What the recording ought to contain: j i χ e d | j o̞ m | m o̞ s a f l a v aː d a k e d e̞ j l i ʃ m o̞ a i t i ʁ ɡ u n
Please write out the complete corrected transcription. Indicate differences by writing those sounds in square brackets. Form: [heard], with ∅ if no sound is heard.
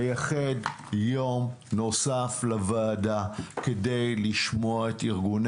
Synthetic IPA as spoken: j [a] χ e d | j o̞ m | [n] o̞ s a f l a v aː d a k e d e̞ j l i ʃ m o̞ a [e] t i ʁ ɡ u n